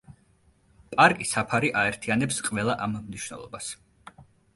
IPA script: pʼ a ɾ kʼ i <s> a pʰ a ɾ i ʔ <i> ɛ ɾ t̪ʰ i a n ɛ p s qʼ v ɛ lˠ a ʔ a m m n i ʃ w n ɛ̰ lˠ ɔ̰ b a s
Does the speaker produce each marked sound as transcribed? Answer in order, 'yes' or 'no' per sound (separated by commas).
yes, no